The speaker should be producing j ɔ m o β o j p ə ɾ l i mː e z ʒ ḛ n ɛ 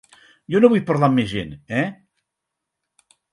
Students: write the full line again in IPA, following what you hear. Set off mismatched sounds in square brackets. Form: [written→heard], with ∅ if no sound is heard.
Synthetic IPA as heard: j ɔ [m→n] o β [o→u] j p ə ɾ l [i→a] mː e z ʒ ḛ n ɛ